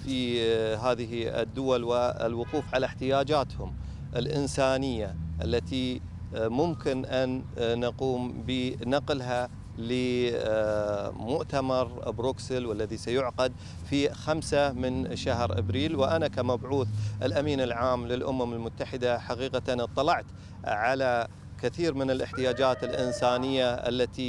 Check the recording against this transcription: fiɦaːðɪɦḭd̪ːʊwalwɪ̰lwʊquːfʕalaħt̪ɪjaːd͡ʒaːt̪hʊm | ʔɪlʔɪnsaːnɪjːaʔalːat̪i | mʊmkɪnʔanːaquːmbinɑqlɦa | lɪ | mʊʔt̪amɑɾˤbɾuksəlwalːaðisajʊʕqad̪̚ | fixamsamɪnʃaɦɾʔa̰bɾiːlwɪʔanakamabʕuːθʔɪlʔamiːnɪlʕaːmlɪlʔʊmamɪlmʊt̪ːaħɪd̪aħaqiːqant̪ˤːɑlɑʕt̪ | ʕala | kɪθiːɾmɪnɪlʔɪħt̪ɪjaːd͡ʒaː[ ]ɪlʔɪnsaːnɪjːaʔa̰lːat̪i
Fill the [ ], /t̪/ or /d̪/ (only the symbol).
t̪